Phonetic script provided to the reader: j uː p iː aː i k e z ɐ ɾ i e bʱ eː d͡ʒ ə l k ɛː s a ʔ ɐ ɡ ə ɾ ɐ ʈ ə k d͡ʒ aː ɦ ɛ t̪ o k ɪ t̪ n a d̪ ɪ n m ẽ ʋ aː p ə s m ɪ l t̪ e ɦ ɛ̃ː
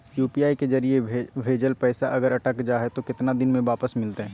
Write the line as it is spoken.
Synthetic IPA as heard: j uː p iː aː i k e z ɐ ɾ i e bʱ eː d͡ʒ ə l p ɛː s a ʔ ɐ ɡ ə ɾ ɐ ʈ ə k d͡ʒ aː ɦ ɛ t̪ o k ɪ t̪ n a d̪ ɪ n m ẽ ʋ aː p ə s m ɪ l t̪ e ɦ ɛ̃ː